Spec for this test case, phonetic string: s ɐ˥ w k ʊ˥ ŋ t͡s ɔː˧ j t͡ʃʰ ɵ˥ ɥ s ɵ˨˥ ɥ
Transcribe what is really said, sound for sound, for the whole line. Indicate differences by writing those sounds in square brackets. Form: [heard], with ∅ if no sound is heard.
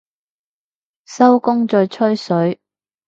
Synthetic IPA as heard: s ɐ˥ w k ʊ˥ ŋ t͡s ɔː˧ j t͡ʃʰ ɵ˥ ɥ s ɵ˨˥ ɥ